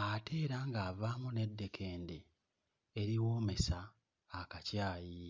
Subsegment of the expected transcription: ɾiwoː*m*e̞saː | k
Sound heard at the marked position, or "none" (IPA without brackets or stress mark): m